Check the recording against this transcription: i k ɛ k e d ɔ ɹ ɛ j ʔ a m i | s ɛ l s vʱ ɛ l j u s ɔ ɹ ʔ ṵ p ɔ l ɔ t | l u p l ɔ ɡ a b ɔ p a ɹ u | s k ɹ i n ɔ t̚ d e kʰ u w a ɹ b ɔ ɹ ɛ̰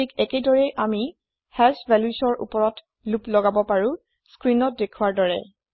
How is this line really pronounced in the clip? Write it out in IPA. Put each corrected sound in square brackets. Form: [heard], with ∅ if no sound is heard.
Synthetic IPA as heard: i k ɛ k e d ɔ ɹ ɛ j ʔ a m i | [h] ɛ l s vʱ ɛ l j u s ɔ ɹ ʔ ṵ p ɔ [ɹ] ɔ t | l u p l ɔ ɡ a b ɔ p a ɹ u | s k ɹ i n ɔ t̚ d e kʰ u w a ɹ [d] ɔ ɹ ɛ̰